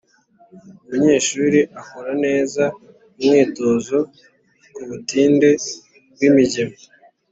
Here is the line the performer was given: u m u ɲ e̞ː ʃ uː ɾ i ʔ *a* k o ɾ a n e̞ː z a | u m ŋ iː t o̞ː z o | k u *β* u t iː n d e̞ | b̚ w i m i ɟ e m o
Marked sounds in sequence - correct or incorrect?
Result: correct, correct

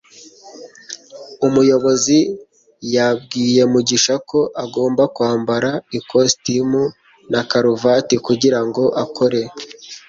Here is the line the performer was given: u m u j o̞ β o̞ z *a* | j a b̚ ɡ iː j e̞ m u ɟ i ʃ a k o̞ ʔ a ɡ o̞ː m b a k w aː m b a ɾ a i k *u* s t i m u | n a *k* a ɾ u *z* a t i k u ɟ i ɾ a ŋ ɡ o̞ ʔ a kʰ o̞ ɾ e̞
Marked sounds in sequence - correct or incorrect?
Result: incorrect: i, incorrect: o, correct, incorrect: v

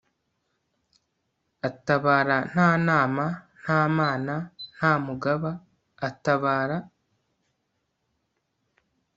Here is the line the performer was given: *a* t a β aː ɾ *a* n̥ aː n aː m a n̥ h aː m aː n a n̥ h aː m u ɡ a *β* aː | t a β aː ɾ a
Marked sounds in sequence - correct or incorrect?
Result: correct, correct, correct

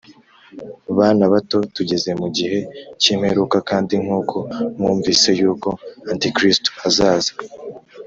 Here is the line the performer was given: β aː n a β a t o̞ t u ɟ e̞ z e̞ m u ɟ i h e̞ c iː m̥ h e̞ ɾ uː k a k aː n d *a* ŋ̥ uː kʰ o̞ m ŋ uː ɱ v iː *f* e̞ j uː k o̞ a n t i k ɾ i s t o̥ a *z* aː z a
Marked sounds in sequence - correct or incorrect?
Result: incorrect: i, incorrect: s, correct

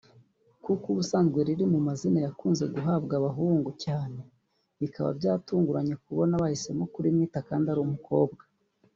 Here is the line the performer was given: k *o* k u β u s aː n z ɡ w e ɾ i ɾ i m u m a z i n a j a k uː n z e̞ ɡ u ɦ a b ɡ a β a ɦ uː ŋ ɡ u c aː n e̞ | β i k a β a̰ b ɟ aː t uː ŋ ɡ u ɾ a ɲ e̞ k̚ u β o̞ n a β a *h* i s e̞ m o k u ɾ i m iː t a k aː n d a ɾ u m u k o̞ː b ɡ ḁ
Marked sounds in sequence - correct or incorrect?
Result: incorrect: u, correct

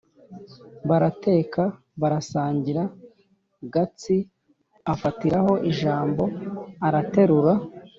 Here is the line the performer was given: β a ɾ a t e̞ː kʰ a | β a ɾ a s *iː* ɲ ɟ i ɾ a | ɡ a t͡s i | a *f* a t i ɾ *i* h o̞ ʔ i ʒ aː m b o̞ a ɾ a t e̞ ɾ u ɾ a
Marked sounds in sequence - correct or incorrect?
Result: incorrect: aː, correct, incorrect: a

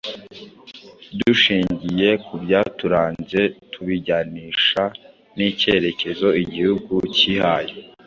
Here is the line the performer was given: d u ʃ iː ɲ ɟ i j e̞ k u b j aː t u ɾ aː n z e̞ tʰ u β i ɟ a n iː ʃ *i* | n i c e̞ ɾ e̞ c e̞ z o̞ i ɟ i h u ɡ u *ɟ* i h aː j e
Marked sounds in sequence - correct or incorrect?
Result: incorrect: a, incorrect: c

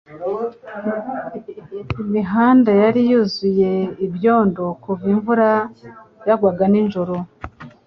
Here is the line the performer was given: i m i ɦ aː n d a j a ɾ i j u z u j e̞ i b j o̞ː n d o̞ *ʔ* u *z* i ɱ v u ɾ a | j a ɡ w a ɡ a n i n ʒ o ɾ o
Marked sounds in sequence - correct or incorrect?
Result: incorrect: k, incorrect: v

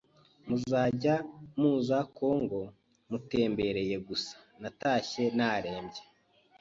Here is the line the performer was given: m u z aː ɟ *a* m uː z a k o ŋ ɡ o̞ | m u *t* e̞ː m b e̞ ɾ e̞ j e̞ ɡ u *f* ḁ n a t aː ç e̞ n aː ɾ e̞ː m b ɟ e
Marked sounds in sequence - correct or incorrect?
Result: correct, correct, incorrect: s

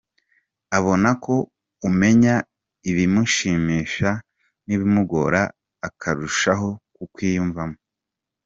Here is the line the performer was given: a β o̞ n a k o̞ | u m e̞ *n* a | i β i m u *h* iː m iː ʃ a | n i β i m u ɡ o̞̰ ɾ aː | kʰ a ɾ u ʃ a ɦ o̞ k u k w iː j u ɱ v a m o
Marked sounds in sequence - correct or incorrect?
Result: incorrect: ɲ, incorrect: ʃ

